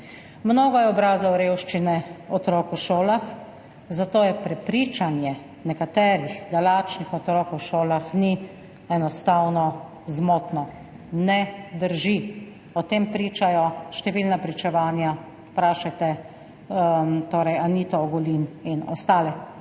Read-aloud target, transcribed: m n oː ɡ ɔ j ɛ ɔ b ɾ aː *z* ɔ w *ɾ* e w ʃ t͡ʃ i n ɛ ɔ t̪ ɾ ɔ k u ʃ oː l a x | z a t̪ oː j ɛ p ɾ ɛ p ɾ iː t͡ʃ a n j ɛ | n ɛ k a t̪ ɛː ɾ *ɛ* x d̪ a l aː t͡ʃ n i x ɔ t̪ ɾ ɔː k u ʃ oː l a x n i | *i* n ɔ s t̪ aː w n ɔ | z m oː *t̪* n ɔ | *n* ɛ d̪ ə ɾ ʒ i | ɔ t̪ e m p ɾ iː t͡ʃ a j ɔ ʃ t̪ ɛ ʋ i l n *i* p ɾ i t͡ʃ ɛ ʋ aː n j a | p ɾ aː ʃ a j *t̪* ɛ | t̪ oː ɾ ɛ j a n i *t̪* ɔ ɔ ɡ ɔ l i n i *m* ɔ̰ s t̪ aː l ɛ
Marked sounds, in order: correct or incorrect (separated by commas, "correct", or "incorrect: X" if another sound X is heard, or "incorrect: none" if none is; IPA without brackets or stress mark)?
correct, correct, incorrect: i, incorrect: ɛ, correct, correct, incorrect: a, correct, correct, incorrect: n